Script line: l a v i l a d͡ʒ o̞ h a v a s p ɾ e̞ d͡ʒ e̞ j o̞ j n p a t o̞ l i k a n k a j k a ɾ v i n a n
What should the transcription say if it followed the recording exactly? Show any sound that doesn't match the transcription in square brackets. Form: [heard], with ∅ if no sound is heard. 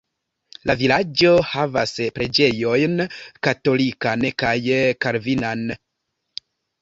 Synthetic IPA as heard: l a v i l a d͡ʒ o̞ h a v a s p ɾ e̞ d͡ʒ e̞ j o̞ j n [k] a t o̞ l i k a n k a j k a ɾ v i n a n